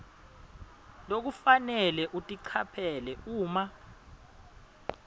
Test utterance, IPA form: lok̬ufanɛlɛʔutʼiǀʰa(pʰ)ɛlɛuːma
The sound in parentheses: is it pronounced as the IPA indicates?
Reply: yes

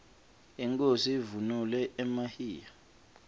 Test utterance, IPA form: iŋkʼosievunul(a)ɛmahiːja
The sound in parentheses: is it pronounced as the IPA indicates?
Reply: no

